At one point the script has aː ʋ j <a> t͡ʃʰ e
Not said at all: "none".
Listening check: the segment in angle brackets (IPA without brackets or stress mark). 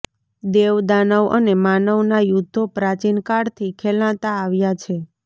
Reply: a